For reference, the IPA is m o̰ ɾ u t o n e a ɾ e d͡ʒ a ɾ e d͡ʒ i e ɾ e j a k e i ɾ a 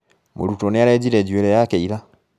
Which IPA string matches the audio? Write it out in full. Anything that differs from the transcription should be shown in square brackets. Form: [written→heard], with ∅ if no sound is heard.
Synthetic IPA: m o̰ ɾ u t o n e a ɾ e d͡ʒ [a→i] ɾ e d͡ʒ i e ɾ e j a k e i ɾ a